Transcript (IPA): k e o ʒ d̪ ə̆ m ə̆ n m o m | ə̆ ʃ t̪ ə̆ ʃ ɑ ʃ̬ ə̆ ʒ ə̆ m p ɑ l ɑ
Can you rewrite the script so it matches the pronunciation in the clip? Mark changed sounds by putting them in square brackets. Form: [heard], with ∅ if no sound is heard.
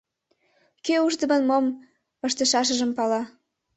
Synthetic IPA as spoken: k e [u] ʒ d̪ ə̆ m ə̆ n m o m | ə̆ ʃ t̪ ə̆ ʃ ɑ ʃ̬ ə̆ ʒ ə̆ m p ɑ l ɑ